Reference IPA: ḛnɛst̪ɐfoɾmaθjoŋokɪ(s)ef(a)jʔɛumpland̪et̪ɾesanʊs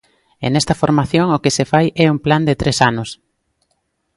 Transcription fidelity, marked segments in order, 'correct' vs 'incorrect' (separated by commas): correct, correct